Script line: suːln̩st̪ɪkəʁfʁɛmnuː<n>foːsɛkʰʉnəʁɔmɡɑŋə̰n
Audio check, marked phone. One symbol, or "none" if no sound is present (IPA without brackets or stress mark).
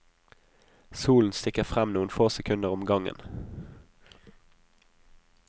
n